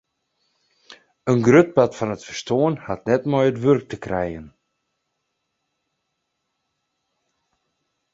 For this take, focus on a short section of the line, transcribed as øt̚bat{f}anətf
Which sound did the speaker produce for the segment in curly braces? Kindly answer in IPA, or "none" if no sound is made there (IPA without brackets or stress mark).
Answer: f